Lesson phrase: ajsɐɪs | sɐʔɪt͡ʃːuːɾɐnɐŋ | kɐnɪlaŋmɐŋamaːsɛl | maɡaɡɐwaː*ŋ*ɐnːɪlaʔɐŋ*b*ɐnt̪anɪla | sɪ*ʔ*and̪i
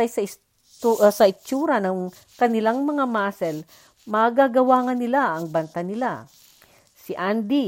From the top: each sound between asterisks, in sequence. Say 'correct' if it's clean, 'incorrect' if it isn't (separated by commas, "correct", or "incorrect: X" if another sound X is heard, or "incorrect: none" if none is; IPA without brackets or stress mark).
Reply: correct, correct, correct